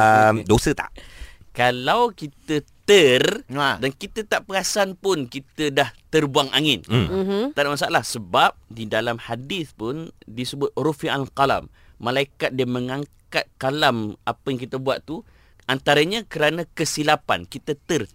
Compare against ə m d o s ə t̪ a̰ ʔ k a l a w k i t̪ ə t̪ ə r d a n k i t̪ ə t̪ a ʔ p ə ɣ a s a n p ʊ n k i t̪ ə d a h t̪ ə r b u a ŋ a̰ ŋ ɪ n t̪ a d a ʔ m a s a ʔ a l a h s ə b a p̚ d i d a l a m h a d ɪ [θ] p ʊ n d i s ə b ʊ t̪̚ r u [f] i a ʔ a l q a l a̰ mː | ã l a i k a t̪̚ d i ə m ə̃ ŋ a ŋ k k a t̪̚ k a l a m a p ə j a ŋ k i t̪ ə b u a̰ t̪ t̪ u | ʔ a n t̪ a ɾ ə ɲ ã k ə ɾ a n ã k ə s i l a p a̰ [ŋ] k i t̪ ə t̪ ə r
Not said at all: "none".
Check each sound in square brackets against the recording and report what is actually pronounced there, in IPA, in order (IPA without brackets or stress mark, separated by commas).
θ, f, n